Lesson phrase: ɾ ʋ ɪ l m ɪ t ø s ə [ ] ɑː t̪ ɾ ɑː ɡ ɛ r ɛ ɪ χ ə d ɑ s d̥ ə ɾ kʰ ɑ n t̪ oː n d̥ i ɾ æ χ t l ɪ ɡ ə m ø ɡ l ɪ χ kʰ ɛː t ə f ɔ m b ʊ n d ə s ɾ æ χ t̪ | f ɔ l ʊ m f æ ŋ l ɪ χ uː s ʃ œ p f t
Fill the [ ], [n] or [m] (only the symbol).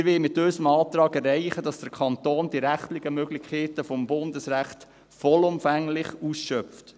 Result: m